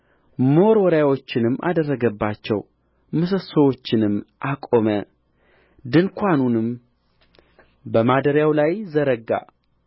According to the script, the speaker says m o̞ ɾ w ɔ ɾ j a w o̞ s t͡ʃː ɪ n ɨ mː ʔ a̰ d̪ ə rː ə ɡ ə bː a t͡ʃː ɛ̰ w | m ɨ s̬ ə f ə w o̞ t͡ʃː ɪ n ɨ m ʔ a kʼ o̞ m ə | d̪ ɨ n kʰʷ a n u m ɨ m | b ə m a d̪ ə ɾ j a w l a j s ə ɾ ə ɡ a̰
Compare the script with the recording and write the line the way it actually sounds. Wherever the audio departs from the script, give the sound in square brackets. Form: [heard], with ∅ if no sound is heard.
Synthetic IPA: m o̞ ɾ w ɔ ɾ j a w o̞ [∅] t͡ʃː ɪ n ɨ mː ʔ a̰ d̪ ə rː ə ɡ ə bː a t͡ʃː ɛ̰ w | m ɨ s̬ ə [s] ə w o̞ t͡ʃː ɪ n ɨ m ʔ a kʼ o̞ m ə | d̪ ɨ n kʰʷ a n u [n] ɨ m | b ə m a d̪ ə ɾ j a w l a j [z] ə ɾ ə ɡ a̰